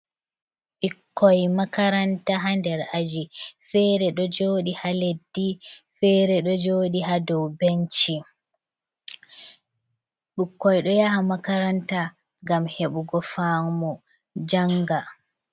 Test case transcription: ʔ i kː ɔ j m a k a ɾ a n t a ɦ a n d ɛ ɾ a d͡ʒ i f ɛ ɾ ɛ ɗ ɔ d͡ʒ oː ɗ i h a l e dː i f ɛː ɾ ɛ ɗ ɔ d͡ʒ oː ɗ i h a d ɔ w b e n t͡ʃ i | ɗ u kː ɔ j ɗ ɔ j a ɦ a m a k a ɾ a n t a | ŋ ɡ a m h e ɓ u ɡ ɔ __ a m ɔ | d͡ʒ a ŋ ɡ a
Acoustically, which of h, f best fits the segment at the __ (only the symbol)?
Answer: f